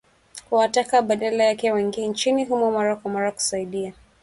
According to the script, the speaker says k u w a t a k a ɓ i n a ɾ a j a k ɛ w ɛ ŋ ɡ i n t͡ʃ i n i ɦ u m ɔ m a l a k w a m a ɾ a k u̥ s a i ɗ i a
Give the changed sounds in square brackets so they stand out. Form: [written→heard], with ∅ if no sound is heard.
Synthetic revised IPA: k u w a t a k a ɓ [i→a] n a [ɾ→l] a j a k ɛ w ɛ ŋ ɡ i n t͡ʃ i n i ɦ u m ɔ m a [l→ɾ] a k w a m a ɾ a k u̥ s a i ɗ i a